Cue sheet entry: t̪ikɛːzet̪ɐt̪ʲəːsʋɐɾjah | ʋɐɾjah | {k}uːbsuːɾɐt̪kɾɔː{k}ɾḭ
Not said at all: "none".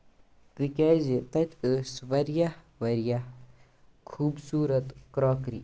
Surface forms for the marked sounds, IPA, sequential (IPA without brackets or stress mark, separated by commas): kʰ, k